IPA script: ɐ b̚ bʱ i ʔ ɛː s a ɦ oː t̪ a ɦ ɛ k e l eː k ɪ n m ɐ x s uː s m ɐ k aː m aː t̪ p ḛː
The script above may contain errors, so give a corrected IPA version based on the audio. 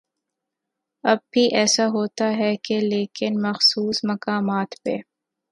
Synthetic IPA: ɐ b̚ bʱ i ʔ ɛː s a ɦ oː t̪ a ɦ ɛ k e l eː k ɪ n m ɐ x s uː s m ɐ k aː m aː t̪ p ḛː